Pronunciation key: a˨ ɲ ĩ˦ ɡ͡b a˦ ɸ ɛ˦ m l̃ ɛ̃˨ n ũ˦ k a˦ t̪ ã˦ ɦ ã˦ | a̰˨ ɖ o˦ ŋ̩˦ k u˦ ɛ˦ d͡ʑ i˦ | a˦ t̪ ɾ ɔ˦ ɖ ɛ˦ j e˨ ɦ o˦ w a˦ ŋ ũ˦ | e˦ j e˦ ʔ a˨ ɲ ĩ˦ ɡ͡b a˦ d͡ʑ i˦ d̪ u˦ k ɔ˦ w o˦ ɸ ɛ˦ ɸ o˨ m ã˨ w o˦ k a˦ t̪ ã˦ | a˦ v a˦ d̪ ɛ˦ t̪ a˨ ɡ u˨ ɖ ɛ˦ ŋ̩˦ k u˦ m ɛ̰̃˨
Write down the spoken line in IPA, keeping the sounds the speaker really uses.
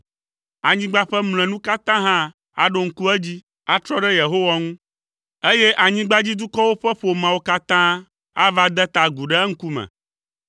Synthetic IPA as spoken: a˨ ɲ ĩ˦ ɡ͡b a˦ ɸ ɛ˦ m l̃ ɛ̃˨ n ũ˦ k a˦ t̪ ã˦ ɦ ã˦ | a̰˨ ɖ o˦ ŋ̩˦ k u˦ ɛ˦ d͡ʑ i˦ | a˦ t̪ ɾ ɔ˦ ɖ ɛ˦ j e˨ ɦ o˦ w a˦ ŋ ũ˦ | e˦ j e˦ ʔ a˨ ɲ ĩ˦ ɡ͡b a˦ d͡ʑ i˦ d̪ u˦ k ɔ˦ w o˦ ɸ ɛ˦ ɸ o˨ m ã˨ w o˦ k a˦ t̪ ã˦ | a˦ v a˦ d̪ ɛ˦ t̪ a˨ ɡ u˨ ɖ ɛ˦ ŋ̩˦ k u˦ m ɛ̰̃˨